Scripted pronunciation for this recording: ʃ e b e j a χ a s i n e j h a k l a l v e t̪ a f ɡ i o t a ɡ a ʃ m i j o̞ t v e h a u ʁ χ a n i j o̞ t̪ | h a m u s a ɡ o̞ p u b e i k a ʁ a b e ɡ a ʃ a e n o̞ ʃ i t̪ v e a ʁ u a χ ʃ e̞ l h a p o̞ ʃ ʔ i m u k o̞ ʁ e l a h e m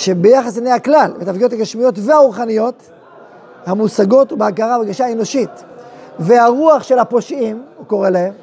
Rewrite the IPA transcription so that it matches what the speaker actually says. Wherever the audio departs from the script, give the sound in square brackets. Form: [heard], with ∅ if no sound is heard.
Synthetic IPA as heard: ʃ e b e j a χ a s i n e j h a k l a l v e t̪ a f ɡ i o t a ɡ a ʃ m i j o̞ t v e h a u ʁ χ a n i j o̞ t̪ | h a m u s a ɡ o̞ [t] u b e [a] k a ʁ a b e ɡ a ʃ a e n o̞ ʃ i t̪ v e a ʁ u a χ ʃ e̞ l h a p o̞ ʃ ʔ i m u k o̞ ʁ e l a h e m